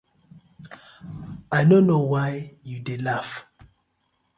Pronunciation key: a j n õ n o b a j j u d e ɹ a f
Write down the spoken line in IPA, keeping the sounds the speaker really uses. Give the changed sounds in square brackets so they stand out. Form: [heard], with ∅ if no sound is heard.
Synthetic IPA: a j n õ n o [w] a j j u d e [l] a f